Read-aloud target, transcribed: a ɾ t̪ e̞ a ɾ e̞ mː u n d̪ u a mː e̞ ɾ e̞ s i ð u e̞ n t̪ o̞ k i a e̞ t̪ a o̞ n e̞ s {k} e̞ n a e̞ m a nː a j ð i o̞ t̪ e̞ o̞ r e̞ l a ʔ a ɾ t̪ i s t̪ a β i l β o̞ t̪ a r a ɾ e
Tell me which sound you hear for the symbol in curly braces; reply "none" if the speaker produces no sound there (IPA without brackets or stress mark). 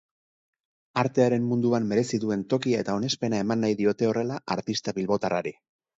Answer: p